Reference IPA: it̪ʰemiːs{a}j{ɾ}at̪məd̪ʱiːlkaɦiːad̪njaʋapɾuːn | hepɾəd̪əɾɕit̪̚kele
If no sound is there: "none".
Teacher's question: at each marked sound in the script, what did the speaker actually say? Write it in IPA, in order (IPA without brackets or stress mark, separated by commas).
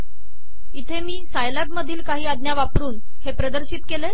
a, l